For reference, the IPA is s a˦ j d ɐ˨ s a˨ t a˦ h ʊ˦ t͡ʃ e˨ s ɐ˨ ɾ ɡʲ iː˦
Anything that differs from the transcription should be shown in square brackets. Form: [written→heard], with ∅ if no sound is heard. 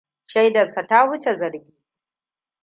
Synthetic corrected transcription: [s→ʃ] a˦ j d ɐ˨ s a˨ t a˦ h ʊ˦ t͡ʃ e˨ [s→z] ɐ˨ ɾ ɡʲ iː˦